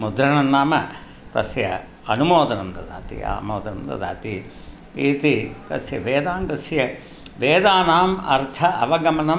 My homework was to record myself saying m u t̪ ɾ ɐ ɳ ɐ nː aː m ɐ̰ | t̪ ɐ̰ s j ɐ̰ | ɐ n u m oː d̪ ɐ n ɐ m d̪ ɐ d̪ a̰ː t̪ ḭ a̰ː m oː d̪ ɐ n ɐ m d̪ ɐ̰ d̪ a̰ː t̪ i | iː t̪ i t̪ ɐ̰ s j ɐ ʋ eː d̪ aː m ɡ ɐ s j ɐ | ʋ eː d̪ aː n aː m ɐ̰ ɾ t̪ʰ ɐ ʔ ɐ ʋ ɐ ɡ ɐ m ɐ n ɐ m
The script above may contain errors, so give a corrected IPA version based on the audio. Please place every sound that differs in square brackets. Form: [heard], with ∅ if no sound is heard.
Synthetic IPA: m u [d̪] ɾ ɐ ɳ ɐ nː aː m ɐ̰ | t̪ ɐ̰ s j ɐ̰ | ɐ n u m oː d̪ ɐ n ɐ m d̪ ɐ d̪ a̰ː t̪ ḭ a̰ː m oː d̪ ɐ n ɐ m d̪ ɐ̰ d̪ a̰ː t̪ i | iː t̪ i t̪ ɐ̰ s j ɐ ʋ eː d̪ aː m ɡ ɐ s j ɐ | ʋ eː d̪ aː n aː m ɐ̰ ɾ t̪ʰ ɐ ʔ ɐ ʋ ɐ ɡ ɐ m ɐ n ɐ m